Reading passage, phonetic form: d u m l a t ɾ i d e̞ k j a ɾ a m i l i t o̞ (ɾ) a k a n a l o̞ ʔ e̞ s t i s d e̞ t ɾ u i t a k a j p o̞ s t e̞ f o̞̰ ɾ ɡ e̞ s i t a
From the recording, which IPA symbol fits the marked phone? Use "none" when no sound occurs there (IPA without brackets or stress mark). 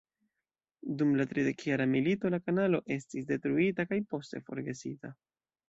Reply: l